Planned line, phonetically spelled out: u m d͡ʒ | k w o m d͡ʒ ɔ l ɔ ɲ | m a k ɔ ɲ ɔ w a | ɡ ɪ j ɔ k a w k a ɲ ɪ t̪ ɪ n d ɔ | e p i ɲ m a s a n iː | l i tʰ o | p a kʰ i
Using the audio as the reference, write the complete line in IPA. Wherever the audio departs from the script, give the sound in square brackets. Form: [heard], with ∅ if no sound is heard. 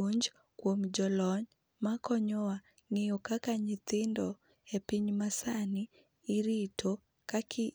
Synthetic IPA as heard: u [ɲ] d͡ʒ | k w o m d͡ʒ ɔ l ɔ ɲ | m a k ɔ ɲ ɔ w a | [ŋ] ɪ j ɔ k a [∅] k a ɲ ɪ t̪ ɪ n d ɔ | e p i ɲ m a s a n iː | [ɾ] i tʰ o | [k] a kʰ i